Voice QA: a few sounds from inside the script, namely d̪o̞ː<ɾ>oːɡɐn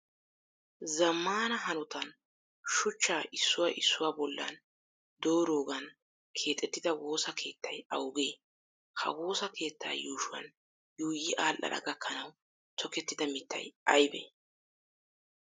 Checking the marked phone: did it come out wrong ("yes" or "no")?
no